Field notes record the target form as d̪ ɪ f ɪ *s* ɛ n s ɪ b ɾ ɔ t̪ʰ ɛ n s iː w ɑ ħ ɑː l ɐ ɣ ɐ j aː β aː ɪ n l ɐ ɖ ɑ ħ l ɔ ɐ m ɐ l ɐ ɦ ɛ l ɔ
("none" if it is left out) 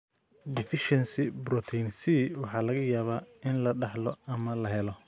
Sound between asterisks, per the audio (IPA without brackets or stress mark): ʃ